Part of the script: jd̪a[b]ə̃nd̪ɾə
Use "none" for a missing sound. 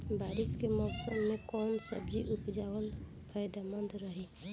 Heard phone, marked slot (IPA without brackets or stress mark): m